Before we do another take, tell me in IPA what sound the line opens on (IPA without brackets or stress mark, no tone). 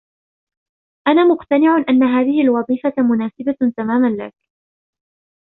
ʔ